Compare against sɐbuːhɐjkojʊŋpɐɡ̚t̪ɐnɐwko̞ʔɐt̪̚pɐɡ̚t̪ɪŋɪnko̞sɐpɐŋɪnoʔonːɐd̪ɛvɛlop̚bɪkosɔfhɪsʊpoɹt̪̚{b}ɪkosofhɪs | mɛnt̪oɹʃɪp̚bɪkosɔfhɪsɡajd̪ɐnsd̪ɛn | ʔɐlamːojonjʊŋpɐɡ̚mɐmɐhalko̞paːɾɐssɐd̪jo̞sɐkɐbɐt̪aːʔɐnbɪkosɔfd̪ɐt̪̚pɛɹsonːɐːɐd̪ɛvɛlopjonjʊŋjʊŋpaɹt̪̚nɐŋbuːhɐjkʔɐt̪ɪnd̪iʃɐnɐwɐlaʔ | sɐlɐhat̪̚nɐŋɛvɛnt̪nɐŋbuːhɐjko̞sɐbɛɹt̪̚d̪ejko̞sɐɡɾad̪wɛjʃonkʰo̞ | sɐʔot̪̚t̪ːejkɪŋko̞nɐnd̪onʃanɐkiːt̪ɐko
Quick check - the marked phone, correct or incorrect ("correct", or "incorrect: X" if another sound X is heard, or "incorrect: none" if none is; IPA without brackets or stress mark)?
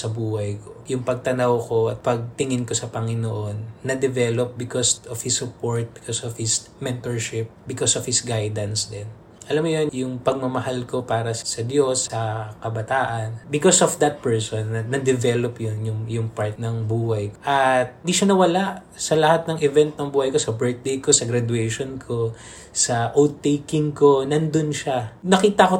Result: correct